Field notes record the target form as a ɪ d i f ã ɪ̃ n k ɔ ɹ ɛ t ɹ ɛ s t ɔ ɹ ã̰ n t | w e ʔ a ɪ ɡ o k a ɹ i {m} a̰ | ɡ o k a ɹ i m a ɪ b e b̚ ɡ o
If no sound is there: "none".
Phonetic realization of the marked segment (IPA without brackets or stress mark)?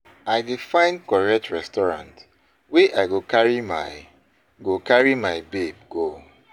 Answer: m